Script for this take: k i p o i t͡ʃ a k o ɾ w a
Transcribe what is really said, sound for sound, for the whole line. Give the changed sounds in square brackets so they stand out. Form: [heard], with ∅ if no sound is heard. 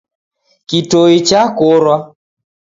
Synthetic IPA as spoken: k i [t] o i t͡ʃ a k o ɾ w a